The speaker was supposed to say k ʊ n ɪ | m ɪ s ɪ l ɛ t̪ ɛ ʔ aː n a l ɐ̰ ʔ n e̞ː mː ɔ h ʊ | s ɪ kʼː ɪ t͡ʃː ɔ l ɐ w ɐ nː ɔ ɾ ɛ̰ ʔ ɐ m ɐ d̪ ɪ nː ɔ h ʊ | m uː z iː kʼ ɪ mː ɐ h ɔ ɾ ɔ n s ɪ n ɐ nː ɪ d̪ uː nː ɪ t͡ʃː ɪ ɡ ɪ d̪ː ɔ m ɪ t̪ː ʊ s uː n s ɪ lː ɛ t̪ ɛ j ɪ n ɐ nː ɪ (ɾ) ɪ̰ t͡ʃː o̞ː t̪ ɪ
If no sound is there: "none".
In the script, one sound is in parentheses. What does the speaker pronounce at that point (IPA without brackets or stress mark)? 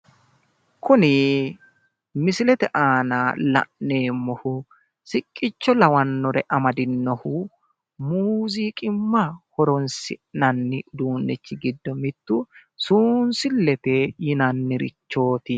ɾ